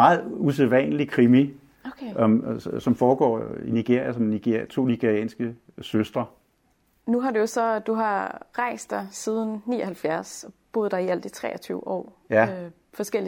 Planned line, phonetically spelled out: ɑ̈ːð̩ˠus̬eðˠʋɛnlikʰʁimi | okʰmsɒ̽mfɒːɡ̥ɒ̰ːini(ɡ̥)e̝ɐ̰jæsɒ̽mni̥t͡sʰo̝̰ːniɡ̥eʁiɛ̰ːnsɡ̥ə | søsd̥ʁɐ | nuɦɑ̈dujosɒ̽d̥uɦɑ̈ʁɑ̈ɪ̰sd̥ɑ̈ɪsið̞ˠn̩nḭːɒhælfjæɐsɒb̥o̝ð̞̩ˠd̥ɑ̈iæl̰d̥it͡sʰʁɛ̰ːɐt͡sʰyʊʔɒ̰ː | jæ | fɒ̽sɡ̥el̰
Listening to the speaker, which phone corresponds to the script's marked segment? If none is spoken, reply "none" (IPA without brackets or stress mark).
ɡ̥